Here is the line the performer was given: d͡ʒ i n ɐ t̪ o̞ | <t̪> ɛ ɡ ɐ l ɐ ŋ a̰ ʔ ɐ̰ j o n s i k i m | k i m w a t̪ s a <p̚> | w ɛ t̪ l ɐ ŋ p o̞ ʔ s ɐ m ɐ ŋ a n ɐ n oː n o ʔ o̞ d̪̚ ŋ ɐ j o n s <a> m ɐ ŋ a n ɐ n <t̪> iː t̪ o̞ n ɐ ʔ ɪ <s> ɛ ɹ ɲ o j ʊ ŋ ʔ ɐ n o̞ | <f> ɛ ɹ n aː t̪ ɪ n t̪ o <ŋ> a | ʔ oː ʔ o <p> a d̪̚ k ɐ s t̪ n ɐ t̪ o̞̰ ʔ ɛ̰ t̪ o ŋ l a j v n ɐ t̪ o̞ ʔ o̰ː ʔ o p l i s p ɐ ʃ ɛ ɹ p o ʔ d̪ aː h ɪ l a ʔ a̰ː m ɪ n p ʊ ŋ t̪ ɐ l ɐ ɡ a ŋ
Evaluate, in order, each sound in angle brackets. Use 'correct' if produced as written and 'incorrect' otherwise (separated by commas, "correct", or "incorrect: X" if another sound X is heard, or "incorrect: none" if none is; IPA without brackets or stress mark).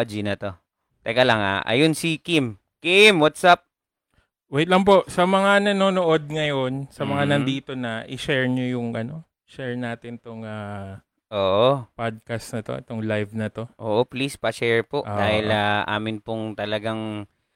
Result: correct, correct, incorrect: ɐ, incorrect: d̪, incorrect: ʃ, incorrect: ʃ, correct, correct